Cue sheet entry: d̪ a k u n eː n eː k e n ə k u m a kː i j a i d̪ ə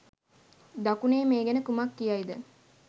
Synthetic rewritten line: d̪ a k u n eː m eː ɡ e n ə k u m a kː i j a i d̪ ə

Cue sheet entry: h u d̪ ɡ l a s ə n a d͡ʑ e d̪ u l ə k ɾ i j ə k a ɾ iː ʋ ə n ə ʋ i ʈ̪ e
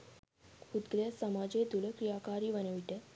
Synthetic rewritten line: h u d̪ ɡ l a s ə m a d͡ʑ e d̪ u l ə k ɾ i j a k a ɾ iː ʋ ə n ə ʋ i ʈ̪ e

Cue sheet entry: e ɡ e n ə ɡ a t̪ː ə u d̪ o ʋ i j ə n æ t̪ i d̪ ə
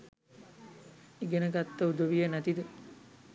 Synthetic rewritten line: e ɡ e n ə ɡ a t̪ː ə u d̪ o ʋ i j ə n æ t̪ i d̪ ə

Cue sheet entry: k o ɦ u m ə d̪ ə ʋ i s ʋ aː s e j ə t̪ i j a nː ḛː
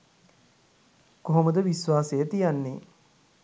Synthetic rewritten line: k o ɦ o m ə d̪ ə ʋ i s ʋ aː s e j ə t̪ i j a nː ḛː

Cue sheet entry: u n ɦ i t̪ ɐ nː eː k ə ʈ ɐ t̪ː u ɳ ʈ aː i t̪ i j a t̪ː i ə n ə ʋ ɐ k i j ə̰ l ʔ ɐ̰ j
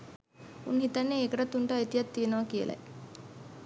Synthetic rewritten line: u n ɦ i t̪ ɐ nː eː k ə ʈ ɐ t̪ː u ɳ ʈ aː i t̪ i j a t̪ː i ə n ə ʋ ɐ k i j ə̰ l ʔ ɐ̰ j

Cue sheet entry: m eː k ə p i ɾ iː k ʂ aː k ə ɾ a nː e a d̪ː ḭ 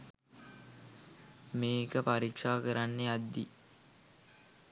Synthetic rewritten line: m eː k ə p a ɾ i k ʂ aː k ə ɾ a nː e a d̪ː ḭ

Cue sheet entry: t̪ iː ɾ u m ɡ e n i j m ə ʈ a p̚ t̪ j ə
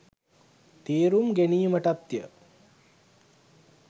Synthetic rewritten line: t̪ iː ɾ u m ɡ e n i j m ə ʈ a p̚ t̪ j ə

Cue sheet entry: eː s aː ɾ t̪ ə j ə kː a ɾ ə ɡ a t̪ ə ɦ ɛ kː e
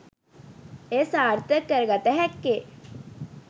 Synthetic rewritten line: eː s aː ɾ t̪ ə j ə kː ə ɾ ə ɡ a t̪ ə ɦ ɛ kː e

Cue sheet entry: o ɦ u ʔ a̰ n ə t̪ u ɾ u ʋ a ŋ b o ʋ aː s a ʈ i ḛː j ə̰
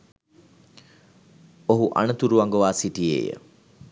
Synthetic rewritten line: o ɦ u ʔ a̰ n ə t̪ u ɾ u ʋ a ŋ ɡ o ʋ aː s i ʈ i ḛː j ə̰

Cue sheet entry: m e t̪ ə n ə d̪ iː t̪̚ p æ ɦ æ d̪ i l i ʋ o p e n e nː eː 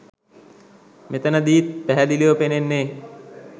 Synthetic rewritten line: m e t̪ ə n ə d̪ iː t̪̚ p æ ɦ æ d̪ i l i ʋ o p e n e nː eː

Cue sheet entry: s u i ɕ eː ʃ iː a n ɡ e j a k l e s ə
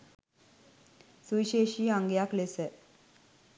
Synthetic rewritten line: s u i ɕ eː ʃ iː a ŋ ɡ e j a k l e s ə

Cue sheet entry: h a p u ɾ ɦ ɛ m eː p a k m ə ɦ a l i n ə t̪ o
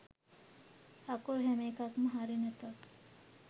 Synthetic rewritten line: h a k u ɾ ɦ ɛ m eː k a k m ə ɦ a ɾ i n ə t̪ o

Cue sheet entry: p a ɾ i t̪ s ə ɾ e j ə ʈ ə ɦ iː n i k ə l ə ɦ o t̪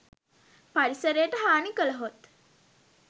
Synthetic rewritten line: p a ɾ i s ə ɾ e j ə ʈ ə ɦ aː n i k ə l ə ɦ o t̪

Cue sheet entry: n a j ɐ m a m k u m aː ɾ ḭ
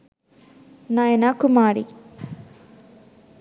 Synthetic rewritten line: n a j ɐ n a k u m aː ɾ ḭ

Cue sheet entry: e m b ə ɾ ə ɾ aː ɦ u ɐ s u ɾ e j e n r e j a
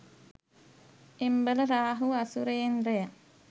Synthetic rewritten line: e m b ə l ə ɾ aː ɦ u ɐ s u ɾ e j e n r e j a

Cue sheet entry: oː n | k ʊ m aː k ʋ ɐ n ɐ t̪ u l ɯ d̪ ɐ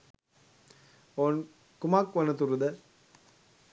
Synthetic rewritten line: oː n | k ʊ m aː k ʋ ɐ n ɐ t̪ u ɾ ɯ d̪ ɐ

